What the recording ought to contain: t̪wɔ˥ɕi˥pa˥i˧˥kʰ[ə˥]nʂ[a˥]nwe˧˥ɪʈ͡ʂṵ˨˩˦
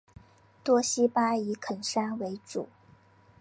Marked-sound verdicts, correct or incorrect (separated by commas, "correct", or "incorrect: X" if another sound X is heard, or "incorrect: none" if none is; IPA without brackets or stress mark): incorrect: ə˨˩, correct